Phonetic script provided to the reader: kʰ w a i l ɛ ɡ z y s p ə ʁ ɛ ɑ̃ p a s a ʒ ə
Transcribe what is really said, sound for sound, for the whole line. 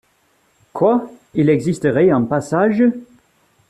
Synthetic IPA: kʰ w a i l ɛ ɡ z i s t ə ʁ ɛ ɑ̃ p a s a ʒ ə